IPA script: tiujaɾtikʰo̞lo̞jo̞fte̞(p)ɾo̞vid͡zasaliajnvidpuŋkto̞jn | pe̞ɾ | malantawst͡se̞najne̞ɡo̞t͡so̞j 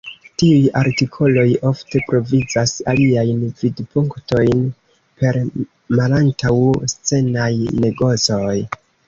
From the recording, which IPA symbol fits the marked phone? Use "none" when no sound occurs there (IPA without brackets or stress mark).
p